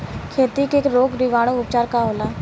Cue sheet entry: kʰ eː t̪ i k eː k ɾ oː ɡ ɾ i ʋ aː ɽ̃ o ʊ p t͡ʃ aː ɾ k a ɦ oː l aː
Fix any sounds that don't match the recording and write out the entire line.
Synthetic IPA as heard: kʰ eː t̪ i k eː k ɾ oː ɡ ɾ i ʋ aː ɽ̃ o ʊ p t͡ʃ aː ɾ k a ɦ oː l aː